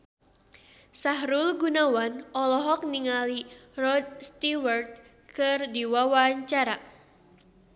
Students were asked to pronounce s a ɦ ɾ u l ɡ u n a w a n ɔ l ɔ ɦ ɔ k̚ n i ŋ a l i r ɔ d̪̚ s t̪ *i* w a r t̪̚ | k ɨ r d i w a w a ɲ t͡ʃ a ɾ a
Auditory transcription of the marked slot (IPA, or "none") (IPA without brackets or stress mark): i